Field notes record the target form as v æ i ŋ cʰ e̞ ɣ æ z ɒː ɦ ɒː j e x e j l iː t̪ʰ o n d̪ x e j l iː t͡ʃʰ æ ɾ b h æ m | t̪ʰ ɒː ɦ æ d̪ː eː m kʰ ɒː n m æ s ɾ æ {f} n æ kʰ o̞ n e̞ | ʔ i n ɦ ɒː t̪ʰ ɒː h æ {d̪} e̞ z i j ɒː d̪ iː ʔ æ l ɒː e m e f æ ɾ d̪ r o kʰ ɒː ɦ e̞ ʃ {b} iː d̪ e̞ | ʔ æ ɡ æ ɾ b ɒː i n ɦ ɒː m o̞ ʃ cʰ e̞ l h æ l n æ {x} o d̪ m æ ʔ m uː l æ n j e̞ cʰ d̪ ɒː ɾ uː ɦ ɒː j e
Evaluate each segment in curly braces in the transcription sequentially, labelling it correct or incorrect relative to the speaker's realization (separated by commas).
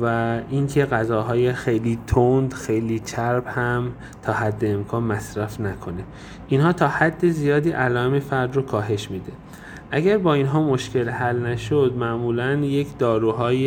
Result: correct, incorrect, incorrect, incorrect